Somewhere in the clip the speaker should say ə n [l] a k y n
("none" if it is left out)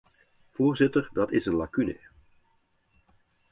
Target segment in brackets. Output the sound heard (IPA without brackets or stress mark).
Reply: l